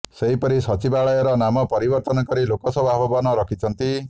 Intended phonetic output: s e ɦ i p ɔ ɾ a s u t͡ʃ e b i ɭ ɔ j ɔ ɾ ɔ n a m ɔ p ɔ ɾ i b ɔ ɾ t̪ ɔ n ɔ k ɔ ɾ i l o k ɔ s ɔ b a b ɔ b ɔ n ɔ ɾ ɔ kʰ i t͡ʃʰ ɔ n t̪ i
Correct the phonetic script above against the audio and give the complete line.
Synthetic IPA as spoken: s e ɦ i p ɔ ɾ i s ɔ t͡ʃ i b a ɭ ɔ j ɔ ɾ ɔ n a m ɔ p ɔ ɾ i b ɔ ɾ t̪ ɔ n ɔ k ɔ ɾ i l o k ɔ s ɔ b a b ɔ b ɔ n ɔ ɾ ɔ kʰ i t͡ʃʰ ɔ n t̪ i